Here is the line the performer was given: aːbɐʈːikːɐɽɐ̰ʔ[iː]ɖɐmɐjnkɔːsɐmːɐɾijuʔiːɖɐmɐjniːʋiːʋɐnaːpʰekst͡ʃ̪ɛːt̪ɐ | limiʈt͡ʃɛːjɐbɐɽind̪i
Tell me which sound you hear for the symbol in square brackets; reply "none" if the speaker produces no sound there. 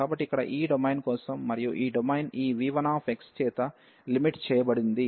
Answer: iː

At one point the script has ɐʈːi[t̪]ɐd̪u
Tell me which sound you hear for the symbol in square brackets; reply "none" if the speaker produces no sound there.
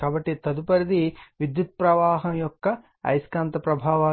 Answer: t̪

